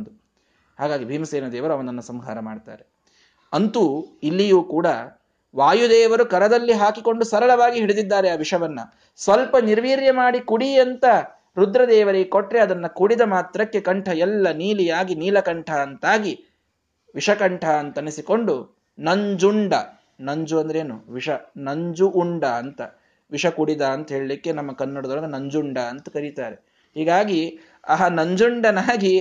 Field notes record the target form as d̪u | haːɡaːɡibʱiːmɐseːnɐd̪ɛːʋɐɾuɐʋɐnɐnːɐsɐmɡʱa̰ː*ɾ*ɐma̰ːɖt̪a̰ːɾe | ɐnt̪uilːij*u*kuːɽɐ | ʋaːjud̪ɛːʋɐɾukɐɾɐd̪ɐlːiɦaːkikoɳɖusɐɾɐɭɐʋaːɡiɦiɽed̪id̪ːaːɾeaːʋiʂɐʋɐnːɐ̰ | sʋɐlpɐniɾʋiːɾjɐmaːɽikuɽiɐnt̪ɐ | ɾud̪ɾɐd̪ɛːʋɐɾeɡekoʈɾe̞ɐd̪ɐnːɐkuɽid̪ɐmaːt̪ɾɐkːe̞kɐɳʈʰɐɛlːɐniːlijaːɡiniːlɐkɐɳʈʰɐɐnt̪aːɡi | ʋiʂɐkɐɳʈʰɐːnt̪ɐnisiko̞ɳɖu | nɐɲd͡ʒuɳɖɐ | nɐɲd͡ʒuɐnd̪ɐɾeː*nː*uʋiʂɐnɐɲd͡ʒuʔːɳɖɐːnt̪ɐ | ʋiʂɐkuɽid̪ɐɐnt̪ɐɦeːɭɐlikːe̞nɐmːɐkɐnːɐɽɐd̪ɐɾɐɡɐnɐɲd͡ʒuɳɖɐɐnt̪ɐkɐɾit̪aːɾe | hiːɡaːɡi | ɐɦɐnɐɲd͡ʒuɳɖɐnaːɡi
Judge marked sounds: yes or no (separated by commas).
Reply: yes, no, no